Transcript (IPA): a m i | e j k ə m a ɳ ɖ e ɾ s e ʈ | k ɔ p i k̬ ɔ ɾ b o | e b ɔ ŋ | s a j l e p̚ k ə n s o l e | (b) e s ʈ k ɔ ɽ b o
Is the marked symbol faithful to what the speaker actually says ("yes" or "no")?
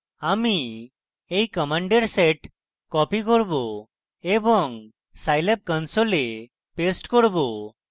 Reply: no